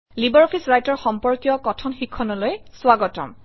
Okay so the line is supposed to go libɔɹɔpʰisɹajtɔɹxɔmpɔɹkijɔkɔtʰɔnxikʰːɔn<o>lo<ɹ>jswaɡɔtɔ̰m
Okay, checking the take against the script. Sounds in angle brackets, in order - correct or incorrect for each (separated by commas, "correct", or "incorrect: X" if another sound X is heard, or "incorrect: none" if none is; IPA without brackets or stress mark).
incorrect: ɔ, incorrect: none